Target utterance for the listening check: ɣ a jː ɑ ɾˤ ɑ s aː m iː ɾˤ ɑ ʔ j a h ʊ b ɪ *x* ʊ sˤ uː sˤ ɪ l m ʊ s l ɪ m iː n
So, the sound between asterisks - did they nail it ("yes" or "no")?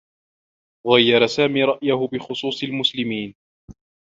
yes